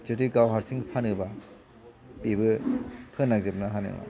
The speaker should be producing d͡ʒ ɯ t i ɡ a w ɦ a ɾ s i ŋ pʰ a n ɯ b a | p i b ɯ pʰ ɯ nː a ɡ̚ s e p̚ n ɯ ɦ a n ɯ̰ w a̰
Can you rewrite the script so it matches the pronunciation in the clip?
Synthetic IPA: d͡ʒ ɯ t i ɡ a w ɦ a ɾ s i ŋ pʰ a n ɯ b a | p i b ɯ pʰ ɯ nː a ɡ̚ z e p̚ n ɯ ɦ a n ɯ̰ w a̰